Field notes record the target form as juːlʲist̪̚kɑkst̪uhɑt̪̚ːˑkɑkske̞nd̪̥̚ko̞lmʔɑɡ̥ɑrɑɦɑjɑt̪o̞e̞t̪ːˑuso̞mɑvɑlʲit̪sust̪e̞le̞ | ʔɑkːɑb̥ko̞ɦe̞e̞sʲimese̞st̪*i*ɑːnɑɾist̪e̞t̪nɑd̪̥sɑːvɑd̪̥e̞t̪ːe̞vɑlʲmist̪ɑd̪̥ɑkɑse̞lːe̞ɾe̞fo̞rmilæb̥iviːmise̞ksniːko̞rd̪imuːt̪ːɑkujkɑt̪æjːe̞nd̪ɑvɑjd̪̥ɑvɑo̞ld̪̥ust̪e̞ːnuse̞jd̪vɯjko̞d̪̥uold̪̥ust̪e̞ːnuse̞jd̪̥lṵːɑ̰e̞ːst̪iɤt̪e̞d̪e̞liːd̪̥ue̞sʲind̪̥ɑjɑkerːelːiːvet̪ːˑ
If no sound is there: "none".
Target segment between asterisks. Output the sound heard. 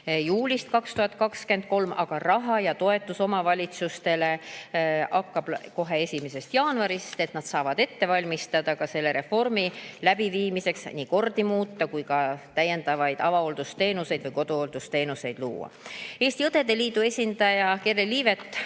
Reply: j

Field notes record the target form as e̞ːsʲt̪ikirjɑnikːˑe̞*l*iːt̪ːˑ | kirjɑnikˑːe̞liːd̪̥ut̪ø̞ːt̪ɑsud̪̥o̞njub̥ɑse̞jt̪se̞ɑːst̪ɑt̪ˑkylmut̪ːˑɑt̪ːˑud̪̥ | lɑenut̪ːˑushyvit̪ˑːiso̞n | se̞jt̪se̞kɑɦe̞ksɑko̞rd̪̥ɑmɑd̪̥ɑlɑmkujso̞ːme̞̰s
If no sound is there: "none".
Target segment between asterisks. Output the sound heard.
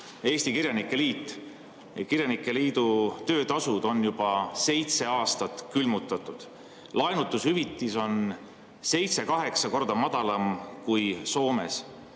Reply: l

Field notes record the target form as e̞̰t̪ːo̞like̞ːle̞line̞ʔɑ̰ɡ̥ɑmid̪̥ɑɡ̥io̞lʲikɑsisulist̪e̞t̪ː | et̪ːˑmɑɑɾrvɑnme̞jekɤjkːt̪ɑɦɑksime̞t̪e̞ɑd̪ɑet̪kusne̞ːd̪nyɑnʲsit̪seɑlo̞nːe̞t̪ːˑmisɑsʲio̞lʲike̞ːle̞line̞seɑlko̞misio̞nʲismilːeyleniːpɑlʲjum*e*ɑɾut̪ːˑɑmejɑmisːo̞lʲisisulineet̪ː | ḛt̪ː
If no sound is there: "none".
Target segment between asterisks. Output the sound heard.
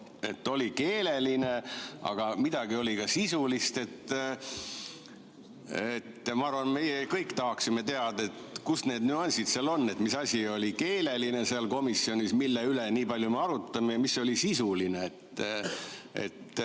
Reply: e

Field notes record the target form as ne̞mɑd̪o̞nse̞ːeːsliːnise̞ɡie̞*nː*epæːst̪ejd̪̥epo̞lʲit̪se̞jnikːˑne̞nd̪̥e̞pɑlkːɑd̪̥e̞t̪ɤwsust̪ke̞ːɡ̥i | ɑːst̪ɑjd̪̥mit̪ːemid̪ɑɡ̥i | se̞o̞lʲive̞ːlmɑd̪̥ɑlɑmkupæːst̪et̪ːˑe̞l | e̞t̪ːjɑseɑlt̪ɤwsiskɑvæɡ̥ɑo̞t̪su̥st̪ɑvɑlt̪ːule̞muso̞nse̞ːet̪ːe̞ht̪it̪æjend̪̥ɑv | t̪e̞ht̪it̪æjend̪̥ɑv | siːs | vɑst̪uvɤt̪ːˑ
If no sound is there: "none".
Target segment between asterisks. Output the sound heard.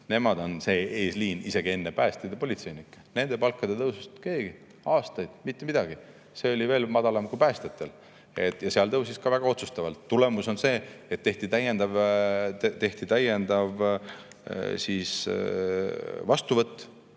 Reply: nː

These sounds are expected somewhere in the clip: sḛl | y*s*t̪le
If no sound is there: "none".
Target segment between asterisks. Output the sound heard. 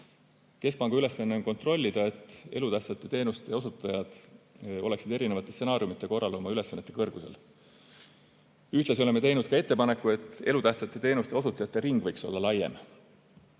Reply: h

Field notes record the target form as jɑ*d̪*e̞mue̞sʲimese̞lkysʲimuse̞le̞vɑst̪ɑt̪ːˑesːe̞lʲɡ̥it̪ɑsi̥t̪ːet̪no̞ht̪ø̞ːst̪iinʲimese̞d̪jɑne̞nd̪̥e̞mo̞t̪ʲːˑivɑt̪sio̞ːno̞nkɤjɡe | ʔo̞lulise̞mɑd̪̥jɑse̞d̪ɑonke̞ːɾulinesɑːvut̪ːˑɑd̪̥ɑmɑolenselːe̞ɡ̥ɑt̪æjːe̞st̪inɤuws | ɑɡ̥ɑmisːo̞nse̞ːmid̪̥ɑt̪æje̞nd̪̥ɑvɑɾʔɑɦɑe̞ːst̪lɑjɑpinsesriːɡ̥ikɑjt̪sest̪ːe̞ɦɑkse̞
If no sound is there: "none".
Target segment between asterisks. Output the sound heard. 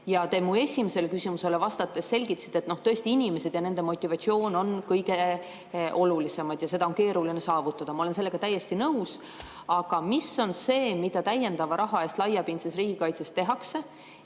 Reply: t̪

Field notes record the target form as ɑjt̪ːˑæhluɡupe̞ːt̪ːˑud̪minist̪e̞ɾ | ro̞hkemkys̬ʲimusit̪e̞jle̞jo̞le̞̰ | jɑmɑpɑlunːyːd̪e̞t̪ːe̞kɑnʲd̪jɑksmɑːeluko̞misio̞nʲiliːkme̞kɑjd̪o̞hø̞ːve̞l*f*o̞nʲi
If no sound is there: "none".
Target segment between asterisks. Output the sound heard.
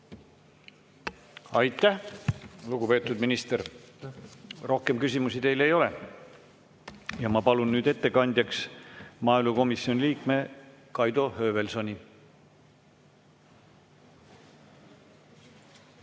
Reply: s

